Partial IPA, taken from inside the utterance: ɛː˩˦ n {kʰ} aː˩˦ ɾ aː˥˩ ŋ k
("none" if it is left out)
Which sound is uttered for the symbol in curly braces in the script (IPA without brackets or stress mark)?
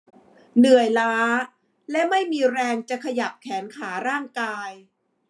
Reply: kʰ